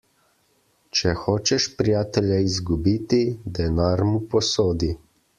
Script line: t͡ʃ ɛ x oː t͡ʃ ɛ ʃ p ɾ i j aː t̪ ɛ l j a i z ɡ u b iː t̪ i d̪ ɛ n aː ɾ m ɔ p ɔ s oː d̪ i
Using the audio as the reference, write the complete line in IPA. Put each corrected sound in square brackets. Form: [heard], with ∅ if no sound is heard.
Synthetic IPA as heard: t͡ʃ ɛ x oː t͡ʃ ɛ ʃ p ɾ i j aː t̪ ɛ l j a i z ɡ u b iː t̪ i d̪ ɛ n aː ɾ m [u] p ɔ s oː d̪ i